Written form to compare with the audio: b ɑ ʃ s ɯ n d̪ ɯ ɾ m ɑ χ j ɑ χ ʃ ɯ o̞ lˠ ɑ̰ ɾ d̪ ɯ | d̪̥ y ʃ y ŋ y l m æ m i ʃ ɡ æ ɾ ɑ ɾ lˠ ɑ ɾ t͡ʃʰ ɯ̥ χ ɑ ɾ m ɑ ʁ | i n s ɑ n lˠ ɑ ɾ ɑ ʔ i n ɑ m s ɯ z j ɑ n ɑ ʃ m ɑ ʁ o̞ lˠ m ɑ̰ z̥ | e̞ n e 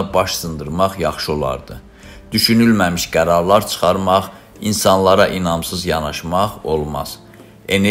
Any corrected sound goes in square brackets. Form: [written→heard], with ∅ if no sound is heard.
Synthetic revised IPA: b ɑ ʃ s ɯ n d̪ ɯ ɾ m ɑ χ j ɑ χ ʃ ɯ o̞ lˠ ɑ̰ ɾ d̪ ɯ | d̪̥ y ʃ y [ŋ→n] y l m æ m i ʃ ɡ æ ɾ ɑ ɾ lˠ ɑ ɾ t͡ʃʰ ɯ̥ χ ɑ ɾ m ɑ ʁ | i n s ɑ n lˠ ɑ ɾ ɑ ʔ i n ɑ m s ɯ z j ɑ n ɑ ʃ m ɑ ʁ o̞ lˠ m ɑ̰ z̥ | e̞ n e